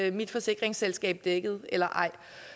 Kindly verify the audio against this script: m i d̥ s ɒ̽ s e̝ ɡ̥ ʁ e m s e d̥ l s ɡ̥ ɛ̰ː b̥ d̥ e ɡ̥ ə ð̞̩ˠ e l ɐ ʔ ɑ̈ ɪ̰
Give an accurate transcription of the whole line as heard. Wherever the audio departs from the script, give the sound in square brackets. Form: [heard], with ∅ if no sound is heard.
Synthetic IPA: m i d̥ [f] ɒ̽ s e̝ ɡ̥ ʁ e [ŋ] s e [∅] l s ɡ̥ ɛ̰ː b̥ d̥ e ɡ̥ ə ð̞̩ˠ e l ɐ ʔ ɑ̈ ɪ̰